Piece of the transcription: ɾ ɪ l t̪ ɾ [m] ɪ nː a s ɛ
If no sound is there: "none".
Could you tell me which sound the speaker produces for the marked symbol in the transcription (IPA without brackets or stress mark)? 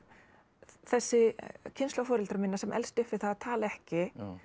m